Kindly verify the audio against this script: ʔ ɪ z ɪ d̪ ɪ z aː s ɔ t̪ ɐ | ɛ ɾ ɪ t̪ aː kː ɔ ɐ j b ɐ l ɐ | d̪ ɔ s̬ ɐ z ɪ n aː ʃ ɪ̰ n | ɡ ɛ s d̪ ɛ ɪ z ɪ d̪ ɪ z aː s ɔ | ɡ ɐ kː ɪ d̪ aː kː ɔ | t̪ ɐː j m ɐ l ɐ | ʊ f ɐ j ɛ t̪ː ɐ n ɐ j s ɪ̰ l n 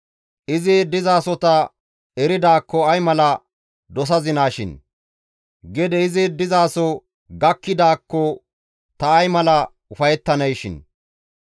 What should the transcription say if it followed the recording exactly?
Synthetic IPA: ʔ ɪ z ɪ d̪ ɪ z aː s ɔ t̪ ɐ | ɛ ɾ ɪ d̪ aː kː ɔ ɐ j m ɐ l ɐ | d̪ ɔ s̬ ɐ z ɪ n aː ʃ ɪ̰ n | ɡ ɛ d̪ ɛ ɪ z ɪ d̪ ɪ z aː s ɔ | ɡ ɐ kː ɪ d̪ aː kː ɔ | t̪ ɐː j m ɐ l ɐ | ʊ f ɐ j ɛ t̪ː ɐ n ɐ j ʃ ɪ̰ n